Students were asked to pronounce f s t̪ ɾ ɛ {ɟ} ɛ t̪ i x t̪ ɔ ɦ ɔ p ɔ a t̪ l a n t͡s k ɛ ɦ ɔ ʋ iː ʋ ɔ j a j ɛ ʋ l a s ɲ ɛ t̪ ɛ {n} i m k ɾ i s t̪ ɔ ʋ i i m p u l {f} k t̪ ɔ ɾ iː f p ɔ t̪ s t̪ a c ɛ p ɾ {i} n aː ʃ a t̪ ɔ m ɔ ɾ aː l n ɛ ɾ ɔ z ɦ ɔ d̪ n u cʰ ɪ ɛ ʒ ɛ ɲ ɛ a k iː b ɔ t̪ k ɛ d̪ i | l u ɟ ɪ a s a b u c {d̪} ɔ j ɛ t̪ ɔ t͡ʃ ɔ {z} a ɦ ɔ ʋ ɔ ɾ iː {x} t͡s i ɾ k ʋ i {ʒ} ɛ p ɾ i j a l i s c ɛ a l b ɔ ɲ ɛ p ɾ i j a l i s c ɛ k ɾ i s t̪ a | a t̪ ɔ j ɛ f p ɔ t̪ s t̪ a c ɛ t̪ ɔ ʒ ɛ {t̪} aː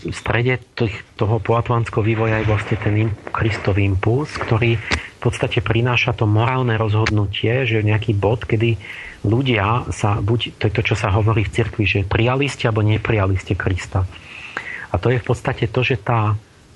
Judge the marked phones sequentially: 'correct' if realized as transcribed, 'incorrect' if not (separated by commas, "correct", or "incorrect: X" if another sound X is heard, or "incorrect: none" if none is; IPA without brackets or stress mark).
correct, correct, incorrect: s, correct, incorrect: t̪, incorrect: s, incorrect: f, correct, correct